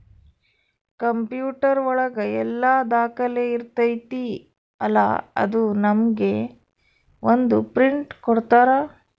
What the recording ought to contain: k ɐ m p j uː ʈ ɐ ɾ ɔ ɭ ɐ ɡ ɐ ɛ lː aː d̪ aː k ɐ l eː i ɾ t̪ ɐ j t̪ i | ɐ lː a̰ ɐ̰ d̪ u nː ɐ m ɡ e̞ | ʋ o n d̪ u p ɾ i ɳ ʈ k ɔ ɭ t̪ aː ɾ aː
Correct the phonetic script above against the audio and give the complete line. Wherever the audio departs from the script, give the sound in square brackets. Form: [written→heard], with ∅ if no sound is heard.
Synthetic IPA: k ɐ m p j uː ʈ ɐ ɾ ɔ ɭ ɐ ɡ ɐ ɛ lː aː d̪ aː k ɐ l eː i ɾ t̪ ɐ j t̪ i | ɐ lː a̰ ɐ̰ d̪ u [nː→n] ɐ m ɡ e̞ | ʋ o n d̪ u p ɾ i ɳ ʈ k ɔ [ɭ→ɽ] t̪ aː ɾ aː

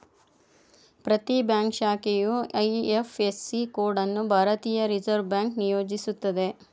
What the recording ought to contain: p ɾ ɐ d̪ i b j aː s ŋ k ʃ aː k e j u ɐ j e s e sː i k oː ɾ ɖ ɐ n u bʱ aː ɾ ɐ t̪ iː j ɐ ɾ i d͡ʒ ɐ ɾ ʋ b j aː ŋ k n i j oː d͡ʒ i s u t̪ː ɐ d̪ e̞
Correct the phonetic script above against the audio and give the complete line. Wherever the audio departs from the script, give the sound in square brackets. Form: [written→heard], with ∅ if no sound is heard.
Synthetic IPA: p ɾ ɐ [d̪→t̪] i b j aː [s→∅] ŋ k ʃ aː k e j u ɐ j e [s→f] e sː i k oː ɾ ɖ ɐ [n→nː] u bʱ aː ɾ ɐ t̪ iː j ɐ ɾ i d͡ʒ ɐ ɾ ʋ b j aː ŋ k n i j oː d͡ʒ i s u t̪ː ɐ d̪ e̞

